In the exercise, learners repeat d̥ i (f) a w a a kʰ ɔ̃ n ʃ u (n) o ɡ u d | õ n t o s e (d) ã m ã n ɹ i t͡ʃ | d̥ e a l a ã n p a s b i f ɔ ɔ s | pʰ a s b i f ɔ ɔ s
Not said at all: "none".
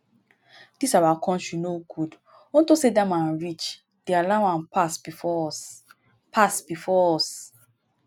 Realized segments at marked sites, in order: s, n, d

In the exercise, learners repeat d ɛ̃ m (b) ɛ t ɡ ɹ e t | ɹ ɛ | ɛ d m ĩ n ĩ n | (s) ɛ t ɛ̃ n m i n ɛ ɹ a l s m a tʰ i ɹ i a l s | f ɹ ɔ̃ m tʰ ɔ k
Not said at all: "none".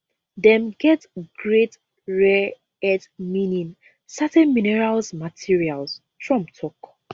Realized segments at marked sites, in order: ɡ, s

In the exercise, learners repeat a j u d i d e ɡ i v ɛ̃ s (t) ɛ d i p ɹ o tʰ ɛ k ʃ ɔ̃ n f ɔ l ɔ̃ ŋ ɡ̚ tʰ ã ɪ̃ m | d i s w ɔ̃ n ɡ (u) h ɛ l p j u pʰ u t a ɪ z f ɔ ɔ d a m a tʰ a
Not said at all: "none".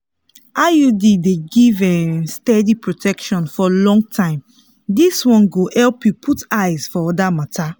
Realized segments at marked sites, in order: t, o

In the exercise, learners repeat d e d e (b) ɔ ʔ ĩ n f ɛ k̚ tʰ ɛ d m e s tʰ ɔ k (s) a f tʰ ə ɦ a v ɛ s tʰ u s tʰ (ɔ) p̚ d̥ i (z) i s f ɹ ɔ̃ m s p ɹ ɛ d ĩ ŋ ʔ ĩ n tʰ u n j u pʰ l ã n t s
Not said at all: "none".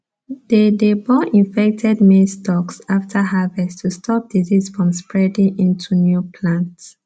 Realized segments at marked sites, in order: b, s, ɔ, z

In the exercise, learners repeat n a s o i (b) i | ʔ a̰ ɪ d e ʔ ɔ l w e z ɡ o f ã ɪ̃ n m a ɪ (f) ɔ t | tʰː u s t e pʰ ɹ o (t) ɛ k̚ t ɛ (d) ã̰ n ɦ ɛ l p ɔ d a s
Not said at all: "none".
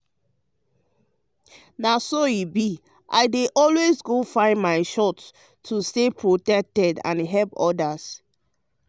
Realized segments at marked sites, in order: b, ʃ, t, d

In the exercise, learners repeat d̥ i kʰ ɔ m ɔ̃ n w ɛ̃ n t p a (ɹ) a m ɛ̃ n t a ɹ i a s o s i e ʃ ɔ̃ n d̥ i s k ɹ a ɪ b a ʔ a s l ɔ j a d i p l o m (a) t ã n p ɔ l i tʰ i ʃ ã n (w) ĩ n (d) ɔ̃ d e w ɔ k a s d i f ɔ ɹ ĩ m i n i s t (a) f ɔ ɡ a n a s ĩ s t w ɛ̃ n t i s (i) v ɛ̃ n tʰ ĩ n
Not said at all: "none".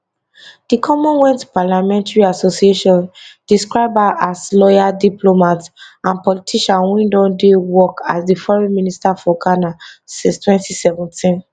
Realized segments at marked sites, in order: l, a, w, d, a, ɛ

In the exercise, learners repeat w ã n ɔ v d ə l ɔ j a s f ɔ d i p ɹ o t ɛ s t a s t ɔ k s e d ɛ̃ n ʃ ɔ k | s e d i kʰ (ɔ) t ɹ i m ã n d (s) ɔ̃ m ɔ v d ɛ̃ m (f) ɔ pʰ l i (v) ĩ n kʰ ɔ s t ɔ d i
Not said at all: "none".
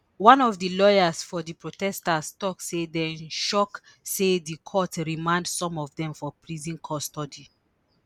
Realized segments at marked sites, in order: ɔ, s, f, z

